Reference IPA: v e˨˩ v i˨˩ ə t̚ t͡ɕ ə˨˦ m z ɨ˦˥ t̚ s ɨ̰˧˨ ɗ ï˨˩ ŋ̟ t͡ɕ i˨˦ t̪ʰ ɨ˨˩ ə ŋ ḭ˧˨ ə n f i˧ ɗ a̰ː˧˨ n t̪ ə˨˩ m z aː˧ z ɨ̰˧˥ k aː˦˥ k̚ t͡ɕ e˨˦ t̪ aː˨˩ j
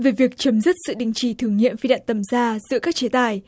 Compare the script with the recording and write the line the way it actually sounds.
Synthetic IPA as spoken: v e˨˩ v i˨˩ ə k̚ t͡ɕ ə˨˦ m z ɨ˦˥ t̚ s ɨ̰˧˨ ɗ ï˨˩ ŋ̟ t͡ɕ i˧˩ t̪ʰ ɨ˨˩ ə ŋ ḭ˧˨ ə m f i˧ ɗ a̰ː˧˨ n t̪ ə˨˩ m z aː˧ z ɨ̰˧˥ k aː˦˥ k̚ t͡ɕ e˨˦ t̪ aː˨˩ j